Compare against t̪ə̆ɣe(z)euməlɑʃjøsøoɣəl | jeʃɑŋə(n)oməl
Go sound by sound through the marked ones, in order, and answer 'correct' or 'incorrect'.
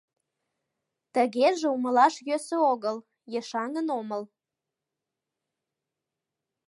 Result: incorrect: ʒ, correct

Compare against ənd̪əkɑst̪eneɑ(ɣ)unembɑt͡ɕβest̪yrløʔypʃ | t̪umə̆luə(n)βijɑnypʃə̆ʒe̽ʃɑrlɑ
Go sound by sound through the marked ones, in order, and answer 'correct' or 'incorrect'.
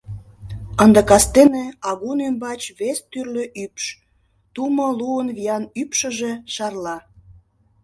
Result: correct, correct

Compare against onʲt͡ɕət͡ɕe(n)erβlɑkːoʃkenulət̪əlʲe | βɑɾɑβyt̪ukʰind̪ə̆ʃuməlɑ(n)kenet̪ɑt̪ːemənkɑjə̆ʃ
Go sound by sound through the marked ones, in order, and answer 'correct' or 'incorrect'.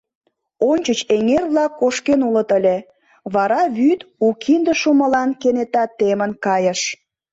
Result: incorrect: ŋ, correct

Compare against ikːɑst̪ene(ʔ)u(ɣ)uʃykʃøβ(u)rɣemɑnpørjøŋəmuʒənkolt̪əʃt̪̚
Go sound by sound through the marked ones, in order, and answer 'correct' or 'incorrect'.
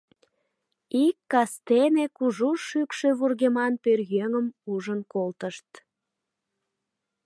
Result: incorrect: k, incorrect: ʒ, correct

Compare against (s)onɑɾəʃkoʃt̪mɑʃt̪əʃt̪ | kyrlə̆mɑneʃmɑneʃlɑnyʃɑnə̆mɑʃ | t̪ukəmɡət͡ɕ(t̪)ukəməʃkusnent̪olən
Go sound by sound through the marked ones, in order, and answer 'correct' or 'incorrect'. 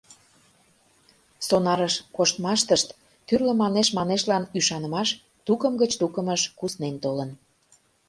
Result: correct, correct

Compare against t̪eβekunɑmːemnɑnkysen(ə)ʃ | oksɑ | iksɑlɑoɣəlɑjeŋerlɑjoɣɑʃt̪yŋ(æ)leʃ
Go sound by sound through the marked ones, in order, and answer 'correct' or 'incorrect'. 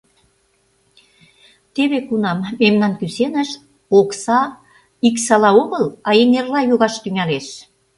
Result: correct, correct

